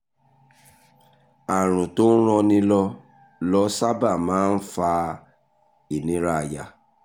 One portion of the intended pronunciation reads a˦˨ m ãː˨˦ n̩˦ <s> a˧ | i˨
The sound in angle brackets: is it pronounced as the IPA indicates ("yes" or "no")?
no